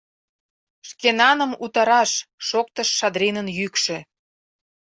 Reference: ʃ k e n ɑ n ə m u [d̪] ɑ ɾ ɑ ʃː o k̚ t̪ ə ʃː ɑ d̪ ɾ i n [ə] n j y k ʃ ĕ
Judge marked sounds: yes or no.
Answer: no, yes

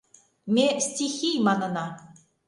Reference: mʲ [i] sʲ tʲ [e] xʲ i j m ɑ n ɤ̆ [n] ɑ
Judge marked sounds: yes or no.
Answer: no, no, yes

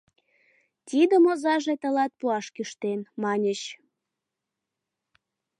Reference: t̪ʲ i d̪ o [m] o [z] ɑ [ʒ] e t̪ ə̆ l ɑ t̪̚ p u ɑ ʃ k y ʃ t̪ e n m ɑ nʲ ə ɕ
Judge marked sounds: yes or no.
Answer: yes, yes, yes

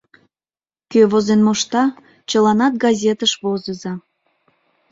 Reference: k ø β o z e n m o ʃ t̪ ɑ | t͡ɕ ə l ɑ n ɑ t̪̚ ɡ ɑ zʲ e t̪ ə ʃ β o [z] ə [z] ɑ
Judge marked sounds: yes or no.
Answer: yes, yes

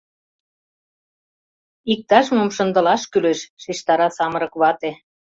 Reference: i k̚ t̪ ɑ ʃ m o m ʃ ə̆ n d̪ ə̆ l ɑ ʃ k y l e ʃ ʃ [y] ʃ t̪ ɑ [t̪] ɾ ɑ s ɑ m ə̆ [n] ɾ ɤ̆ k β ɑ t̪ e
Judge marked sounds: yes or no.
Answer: no, no, no

